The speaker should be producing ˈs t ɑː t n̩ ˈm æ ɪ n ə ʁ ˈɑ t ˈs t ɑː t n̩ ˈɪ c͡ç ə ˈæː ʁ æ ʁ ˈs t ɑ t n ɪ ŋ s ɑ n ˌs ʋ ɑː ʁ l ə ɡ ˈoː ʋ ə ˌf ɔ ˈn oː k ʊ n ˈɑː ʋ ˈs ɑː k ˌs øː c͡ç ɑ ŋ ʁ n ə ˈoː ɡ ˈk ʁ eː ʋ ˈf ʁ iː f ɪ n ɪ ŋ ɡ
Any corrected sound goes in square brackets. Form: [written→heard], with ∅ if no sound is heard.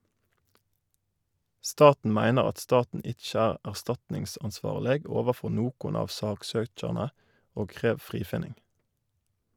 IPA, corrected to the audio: ˈs t ɑː t n̩ ˈm æ ɪ n ə ʁ ˈɑ t ˈs t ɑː t n̩ ˈɪ c͡ç ə ˈæː ʁ æ ʁ ˈs t ɑ t n ɪ ŋ s ɑ n ˌs ʋ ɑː ʁ l ə ɡ ˈoː ʋ ə ˌf ɔ ˈn oː k ʊ n ˈɑː ʋ ˈs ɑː k ˌs øː c͡ç ɑ [ŋ→∅] ʁ n ə ˈoː ɡ ˈk ʁ eː ʋ ˈf ʁ iː f ɪ n ɪ ŋ ɡ